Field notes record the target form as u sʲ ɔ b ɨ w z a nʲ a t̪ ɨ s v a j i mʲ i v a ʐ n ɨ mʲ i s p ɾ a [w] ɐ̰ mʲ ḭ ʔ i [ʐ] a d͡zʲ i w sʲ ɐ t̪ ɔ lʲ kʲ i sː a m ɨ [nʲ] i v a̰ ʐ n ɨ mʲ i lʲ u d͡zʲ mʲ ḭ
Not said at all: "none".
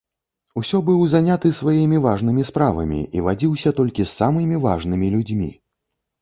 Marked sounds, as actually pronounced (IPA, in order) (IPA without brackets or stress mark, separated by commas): v, v, mʲ